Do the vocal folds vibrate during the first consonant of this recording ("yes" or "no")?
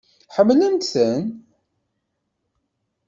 no